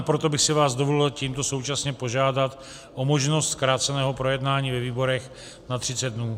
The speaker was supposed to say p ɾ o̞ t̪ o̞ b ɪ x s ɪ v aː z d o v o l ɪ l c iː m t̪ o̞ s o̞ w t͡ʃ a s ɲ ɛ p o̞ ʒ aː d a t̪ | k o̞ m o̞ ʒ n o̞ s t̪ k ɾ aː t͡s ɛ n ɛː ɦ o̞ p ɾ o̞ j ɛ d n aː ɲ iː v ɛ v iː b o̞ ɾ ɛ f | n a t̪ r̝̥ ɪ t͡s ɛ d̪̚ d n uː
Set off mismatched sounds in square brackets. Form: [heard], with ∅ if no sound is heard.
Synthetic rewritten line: p ɾ o̞ t̪ o̞ b ɪ x s ɪ v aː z d o v o l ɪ l c iː m t̪ o̞ s o̞ w t͡ʃ a s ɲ ɛ p o̞ ʒ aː d a t̪ | [ʔ] o̞ m o̞ ʒ n o̞ s t̪ k ɾ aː t͡s ɛ n ɛː ɦ o̞ p ɾ o̞ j ɛ d n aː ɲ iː v ɛ v iː b o̞ ɾ ɛ [x] | n a t̪ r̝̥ ɪ t͡s ɛ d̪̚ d n uː

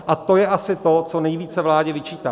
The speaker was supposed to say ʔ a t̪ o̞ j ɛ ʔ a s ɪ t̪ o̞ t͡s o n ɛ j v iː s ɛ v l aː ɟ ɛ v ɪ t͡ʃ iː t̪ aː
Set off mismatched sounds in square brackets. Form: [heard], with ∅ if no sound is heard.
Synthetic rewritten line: ʔ a t̪ o̞ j ɛ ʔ a s ɪ t̪ o̞ t͡s o n ɛ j v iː [t͡s] ɛ v l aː ɟ ɛ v ɪ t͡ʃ iː t̪ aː

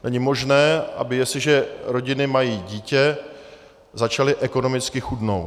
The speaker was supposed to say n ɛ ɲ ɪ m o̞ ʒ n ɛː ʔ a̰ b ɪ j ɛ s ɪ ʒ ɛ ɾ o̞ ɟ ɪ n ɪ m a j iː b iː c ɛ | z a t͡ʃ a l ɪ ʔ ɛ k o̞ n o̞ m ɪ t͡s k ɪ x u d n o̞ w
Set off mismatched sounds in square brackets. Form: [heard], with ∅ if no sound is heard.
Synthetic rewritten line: n ɛ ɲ ɪ m o̞ ʒ n ɛː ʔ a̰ b ɪ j ɛ s ɪ ʒ ɛ ɾ o̞ ɟ ɪ n ɪ m a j iː [ɟ] iː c ɛ | z a t͡ʃ a l ɪ ʔ ɛ k o̞ n o̞ m ɪ t͡s k ɪ x u d n o̞ w

